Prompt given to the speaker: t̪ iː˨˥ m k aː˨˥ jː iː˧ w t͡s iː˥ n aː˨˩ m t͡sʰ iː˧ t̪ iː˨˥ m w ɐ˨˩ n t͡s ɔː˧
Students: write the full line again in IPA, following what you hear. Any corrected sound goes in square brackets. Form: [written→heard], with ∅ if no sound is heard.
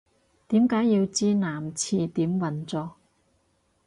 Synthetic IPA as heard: t̪ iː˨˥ m k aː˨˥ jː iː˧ w t͡s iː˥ n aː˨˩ m t͡sʰ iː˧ t̪ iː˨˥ m w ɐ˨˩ n t͡s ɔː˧